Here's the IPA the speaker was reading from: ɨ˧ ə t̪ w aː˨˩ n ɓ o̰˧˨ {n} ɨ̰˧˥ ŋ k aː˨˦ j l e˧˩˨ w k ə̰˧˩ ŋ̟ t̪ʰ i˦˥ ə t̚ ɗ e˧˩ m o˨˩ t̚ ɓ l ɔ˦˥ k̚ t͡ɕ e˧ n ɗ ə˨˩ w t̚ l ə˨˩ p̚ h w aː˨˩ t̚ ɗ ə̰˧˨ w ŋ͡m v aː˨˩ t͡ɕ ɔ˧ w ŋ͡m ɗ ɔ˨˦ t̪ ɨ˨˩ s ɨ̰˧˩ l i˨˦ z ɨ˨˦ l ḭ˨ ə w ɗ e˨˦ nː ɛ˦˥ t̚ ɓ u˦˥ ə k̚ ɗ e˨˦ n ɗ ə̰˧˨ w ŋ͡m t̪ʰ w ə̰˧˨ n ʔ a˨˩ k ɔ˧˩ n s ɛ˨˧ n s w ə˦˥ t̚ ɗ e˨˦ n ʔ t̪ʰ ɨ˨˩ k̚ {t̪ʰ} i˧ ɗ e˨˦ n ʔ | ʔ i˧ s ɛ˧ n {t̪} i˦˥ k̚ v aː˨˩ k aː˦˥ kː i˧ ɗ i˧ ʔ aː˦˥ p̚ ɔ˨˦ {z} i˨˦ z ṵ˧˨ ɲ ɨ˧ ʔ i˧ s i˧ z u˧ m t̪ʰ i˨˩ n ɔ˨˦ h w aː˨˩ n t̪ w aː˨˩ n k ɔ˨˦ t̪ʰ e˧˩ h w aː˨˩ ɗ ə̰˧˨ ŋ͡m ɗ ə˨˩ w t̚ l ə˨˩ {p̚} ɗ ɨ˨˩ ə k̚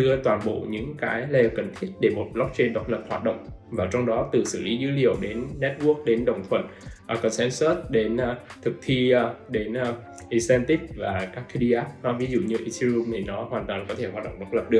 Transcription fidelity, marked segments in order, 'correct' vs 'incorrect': incorrect: ɲ, correct, correct, incorrect: v, correct

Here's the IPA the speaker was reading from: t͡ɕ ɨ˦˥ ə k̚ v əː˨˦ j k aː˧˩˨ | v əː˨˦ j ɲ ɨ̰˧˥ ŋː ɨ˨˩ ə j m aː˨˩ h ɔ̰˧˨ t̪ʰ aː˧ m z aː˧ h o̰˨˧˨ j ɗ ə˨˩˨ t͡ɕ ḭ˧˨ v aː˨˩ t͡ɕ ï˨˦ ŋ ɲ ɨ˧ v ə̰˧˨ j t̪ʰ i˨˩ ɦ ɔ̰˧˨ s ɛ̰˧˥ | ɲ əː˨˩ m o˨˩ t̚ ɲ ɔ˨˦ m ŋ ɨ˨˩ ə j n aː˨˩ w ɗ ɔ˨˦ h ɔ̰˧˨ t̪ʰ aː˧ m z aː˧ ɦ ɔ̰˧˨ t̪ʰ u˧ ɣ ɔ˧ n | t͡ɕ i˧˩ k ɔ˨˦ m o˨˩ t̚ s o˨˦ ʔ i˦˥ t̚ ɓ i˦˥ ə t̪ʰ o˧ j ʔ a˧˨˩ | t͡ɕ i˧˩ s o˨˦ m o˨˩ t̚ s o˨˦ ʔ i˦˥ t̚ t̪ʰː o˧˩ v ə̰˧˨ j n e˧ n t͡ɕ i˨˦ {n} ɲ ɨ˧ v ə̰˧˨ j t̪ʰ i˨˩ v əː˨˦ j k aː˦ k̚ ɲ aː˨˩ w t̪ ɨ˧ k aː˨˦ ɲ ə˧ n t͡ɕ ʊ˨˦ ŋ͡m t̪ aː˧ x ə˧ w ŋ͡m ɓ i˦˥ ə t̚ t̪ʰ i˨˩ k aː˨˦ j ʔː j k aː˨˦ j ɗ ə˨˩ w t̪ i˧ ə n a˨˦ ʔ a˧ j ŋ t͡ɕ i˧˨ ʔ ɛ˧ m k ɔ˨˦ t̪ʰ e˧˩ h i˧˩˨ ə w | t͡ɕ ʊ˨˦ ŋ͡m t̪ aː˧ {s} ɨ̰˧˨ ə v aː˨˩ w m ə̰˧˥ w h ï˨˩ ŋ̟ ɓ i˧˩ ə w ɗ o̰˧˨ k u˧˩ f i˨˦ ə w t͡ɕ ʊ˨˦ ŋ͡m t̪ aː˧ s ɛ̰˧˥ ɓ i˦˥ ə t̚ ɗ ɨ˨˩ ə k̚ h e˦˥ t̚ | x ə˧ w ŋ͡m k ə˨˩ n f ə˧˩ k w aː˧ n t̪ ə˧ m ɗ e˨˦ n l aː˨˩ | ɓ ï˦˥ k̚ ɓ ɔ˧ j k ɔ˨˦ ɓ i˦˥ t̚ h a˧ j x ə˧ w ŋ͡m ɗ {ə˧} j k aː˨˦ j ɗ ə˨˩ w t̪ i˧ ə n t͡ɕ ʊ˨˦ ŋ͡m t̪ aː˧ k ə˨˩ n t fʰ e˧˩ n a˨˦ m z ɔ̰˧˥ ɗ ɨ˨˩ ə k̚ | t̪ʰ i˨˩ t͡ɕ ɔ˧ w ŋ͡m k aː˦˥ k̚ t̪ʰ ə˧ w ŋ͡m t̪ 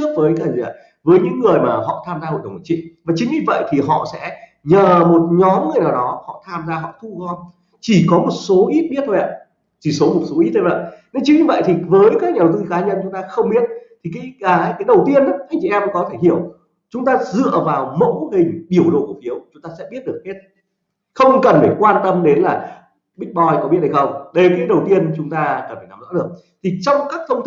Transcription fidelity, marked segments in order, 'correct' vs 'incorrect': incorrect: ŋ, incorrect: z, correct

